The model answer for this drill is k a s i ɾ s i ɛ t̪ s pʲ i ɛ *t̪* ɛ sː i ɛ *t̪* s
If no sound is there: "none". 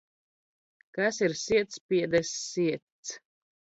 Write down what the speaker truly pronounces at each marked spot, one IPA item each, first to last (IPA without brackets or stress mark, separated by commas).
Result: d̪, t̪